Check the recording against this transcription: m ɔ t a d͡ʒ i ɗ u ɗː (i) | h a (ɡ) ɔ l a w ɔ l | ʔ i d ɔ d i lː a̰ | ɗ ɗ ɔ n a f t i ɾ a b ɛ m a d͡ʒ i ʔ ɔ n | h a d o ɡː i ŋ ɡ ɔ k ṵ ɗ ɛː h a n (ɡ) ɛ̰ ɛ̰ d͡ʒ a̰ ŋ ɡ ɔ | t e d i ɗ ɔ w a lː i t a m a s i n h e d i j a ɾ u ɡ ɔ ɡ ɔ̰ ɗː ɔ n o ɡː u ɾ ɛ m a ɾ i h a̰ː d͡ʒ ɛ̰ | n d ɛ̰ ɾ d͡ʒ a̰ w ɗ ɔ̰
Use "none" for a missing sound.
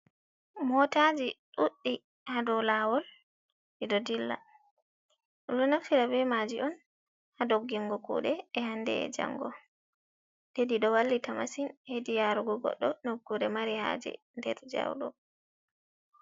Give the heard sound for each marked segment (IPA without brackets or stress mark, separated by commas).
i, d, d